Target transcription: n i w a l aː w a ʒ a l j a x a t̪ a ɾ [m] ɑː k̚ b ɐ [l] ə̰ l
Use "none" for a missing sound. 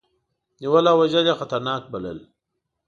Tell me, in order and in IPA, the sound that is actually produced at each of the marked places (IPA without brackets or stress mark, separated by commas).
n, l